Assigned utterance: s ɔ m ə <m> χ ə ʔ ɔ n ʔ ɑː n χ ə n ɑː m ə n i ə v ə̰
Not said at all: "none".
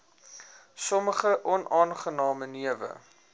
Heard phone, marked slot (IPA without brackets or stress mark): none